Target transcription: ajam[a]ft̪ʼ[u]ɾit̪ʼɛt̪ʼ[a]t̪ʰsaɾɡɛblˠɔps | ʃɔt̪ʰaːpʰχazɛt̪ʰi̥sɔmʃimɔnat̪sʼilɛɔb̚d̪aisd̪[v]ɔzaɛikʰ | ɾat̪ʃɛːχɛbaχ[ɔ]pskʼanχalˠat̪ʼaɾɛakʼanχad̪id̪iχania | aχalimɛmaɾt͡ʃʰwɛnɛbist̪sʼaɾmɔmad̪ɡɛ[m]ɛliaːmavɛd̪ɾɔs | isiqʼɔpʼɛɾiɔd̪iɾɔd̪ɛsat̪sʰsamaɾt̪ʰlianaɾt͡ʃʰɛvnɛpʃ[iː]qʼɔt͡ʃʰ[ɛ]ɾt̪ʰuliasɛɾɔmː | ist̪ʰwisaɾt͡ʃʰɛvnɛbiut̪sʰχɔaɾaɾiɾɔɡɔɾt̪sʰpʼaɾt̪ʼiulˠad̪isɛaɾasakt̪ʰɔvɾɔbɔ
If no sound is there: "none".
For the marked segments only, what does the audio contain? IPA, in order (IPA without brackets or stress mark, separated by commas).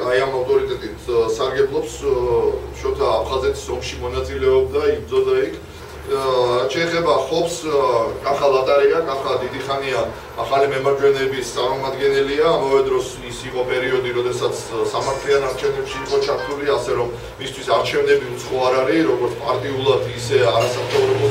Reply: a, ɔ, i, z, ɔ, n, iː, a